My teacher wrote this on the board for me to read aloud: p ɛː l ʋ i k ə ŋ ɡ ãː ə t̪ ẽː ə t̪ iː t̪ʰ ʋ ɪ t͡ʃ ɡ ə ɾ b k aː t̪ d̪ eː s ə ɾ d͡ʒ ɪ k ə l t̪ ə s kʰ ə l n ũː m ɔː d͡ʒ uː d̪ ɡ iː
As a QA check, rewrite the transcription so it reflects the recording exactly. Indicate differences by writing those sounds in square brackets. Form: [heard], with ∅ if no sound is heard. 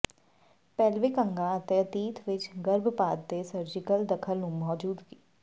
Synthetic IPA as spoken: p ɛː l ʋ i k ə ŋ ɡ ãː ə t̪ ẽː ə t̪ iː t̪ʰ ʋ ɪ t͡ʃ ɡ ə ɾ b [p] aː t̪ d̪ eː s ə ɾ d͡ʒ ɪ k ə l [d̪] ə [∅] kʰ ə l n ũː m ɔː d͡ʒ uː d̪ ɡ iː

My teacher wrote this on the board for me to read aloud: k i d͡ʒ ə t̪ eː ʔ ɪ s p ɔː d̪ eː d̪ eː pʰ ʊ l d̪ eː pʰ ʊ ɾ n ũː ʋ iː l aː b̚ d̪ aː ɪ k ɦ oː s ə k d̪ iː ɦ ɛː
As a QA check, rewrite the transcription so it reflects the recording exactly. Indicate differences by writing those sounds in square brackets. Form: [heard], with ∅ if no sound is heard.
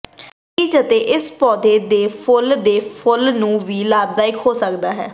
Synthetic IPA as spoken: k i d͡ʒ ə t̪ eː ʔ ɪ s p ɔː d̪ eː d̪ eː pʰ ʊ l d̪ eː pʰ ʊ [l] n ũː ʋ iː l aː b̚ d̪ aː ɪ k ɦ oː s ə k d̪ [aː] ɦ ɛː

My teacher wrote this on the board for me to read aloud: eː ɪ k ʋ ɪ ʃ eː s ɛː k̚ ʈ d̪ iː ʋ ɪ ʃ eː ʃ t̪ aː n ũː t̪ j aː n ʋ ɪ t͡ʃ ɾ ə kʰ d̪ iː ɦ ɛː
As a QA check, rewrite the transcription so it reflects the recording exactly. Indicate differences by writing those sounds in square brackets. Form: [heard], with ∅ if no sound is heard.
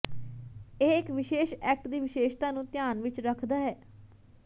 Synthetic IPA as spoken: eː ɪ k ʋ ɪ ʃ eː [ʃ] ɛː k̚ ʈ d̪ iː ʋ ɪ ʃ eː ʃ t̪ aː n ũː t̪ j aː n ʋ ɪ t͡ʃ ɾ ə kʰ d̪ [aː] ɦ ɛː

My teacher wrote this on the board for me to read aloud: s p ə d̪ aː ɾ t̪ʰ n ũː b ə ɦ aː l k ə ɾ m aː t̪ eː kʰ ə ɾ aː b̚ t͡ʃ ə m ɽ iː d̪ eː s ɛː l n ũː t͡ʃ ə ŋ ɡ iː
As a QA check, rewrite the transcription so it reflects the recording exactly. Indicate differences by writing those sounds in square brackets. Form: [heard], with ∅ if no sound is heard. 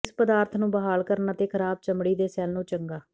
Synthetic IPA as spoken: s p ə d̪ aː ɾ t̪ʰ n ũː b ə ɦ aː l k ə ɾ [n] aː t̪ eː kʰ ə ɾ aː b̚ t͡ʃ ə m ɽ iː d̪ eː s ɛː l n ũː t͡ʃ ə ŋ ɡ [aː]

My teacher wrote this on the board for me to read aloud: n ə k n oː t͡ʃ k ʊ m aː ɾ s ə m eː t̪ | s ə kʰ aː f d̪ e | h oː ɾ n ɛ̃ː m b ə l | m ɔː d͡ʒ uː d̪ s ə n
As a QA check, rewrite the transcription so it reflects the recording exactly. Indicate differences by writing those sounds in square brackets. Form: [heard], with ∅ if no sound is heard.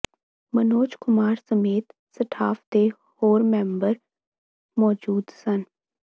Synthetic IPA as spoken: [m] ə [∅] n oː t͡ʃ k ʊ m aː ɾ s ə m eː t̪ | s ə [ʈʰ] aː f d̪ e | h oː ɾ [m] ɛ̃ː m b ə [ɾ] | m ɔː d͡ʒ uː d̪ s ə n

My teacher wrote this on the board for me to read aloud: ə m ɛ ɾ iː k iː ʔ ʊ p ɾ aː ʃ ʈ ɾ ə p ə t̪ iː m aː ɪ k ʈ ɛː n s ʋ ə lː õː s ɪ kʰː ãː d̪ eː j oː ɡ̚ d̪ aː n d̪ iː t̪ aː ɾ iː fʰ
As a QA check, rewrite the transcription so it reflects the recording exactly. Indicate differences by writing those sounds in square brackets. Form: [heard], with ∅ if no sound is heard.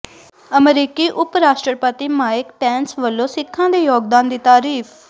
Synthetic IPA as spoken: ə m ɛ ɾ iː k iː ʔ ʊ p ɾ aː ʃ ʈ ɾ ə p ə t̪ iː m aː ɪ k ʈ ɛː n s ʋ ə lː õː s ɪ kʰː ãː d̪ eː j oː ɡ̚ d̪ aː n d̪ iː t̪ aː ɾ iː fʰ

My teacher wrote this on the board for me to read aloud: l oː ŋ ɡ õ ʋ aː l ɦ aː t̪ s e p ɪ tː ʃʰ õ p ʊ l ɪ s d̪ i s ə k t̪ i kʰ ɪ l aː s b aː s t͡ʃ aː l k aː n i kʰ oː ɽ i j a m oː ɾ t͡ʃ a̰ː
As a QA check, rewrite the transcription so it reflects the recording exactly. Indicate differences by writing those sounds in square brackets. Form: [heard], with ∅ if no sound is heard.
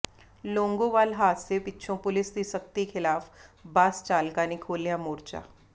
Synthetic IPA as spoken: l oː ŋ ɡ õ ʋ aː l ɦ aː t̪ s e p ɪ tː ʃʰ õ p ʊ l ɪ s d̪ i s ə k t̪ i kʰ ɪ l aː [f] b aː s t͡ʃ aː l k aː n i kʰ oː [l] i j a m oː ɾ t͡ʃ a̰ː

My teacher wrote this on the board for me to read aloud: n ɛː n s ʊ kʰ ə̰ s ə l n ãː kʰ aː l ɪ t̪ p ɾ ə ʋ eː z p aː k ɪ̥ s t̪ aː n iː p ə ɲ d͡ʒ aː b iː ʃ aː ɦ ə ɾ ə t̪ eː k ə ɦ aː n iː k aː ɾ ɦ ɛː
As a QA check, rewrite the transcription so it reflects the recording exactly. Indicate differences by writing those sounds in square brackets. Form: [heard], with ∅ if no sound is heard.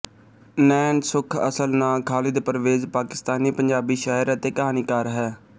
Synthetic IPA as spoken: n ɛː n s ʊ kʰ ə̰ s ə l n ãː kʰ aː l ɪ [d̪] p ɾ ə ʋ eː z p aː k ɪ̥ s t̪ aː n iː p ə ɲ d͡ʒ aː b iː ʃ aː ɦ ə ɾ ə t̪ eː k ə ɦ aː n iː k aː ɾ ɦ ɛː

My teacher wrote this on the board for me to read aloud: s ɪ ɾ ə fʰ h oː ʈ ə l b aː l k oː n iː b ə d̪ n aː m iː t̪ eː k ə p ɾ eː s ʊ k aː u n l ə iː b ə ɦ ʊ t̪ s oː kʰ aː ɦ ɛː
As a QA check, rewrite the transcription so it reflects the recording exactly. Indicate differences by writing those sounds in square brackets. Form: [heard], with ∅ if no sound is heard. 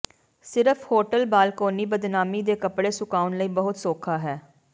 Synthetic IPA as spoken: s ɪ ɾ ə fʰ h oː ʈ ə l b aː l k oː n iː b ə d̪ n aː m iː [d̪] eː k ə p [ɽ] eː s ʊ k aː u n l ə iː b ə ɦ ʊ t̪ s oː kʰ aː ɦ ɛː

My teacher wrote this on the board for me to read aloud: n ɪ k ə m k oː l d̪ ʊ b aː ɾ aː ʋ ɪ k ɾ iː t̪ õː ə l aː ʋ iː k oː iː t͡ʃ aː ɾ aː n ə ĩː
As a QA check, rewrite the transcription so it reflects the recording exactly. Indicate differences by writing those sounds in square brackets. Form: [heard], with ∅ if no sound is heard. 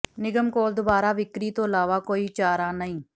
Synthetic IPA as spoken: n ɪ [ɡ] ə m k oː l d̪ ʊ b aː ɾ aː ʋ ɪ k ɾ iː t̪ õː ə l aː ʋ [aː] k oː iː t͡ʃ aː ɾ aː n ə ĩː

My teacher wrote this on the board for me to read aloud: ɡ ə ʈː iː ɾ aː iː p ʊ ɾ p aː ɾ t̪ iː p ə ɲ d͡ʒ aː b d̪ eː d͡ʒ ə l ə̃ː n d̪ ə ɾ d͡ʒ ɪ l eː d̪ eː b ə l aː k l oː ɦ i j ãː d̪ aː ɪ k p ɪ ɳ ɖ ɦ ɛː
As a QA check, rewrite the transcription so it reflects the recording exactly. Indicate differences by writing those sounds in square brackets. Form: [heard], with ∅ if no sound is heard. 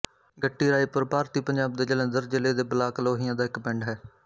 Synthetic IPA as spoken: ɡ ə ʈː iː ɾ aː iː p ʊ ɾ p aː ɾ t̪ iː p ə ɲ d͡ʒ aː b d̪ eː d͡ʒ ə l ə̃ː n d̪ ə ɾ d͡ʒ ɪ l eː d̪ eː b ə l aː k l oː ɦ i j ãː d̪ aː ɪ k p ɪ ɳ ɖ ɦ ɛː

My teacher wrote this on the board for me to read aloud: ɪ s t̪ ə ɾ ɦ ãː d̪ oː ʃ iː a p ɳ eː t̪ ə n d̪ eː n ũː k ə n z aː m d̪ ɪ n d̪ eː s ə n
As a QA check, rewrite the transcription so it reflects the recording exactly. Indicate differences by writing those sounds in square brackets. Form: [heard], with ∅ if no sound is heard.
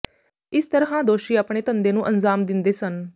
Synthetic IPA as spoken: ɪ s t̪ ə ɾ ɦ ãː d̪ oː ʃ iː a p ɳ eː t̪ ə n d̪ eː n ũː [ʔ] ə n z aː m d̪ ɪ n d̪ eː s ə n

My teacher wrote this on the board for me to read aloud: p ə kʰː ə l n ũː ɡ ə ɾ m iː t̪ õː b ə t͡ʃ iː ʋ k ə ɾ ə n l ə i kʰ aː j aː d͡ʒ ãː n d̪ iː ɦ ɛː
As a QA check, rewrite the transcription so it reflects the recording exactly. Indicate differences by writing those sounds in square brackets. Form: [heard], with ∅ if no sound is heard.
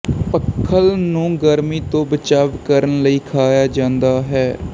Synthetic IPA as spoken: p ə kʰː ə l n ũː ɡ ə ɾ m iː t̪ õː b ə t͡ʃ [aː] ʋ k ə ɾ ə n l ə [iː] kʰ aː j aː d͡ʒ ãː n d̪ [aː] ɦ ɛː

